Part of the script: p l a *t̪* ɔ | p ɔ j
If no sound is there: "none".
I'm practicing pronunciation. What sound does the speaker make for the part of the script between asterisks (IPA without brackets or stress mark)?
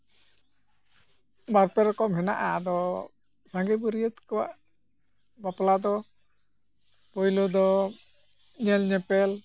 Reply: d̪